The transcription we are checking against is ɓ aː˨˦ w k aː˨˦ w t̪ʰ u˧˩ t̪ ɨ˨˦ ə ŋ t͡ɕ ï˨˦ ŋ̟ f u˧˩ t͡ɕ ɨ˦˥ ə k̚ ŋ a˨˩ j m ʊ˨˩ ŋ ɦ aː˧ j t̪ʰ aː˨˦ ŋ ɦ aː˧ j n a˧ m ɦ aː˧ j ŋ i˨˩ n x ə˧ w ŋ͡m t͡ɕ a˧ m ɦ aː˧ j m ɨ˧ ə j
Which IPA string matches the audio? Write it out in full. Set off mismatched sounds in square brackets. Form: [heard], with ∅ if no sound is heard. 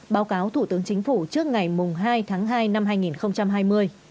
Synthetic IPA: ɓ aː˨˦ w k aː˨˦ w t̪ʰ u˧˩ t̪ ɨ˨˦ ə ŋ t͡ɕ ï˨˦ ŋ̟ f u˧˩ t͡ɕ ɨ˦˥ ə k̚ ŋ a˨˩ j m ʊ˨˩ [ŋ͡m] ɦ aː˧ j t̪ʰ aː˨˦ ŋ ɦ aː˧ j n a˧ m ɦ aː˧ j ŋ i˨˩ n x ə˧ w ŋ͡m t͡ɕ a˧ m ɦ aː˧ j m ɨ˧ ə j